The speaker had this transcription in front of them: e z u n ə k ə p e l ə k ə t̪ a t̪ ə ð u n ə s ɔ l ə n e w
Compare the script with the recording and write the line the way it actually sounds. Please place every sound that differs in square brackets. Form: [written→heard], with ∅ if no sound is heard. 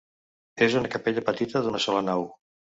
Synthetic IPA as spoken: e z u n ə k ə p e [l→ʎ] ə [k→p] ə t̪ [a→i] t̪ ə ð u n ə s ɔ l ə n [e→a] w